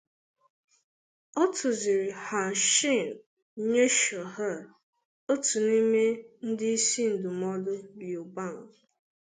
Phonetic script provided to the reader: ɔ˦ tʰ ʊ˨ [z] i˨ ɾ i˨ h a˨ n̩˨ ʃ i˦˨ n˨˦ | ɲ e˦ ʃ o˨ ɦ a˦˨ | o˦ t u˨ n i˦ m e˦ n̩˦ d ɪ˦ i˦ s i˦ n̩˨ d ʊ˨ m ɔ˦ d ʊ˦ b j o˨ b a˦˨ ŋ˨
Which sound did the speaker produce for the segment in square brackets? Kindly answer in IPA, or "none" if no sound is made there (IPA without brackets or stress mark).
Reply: z